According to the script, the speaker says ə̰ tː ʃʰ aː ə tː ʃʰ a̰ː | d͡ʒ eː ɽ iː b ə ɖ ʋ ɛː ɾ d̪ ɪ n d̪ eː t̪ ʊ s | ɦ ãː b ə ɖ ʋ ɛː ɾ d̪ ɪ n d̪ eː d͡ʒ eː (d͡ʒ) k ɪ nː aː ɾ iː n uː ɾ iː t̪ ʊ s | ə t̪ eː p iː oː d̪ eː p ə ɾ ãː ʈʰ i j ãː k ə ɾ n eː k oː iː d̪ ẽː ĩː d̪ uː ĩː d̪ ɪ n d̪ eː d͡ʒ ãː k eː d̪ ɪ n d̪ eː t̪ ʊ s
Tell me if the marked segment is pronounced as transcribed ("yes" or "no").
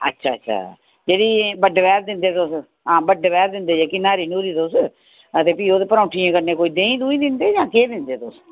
no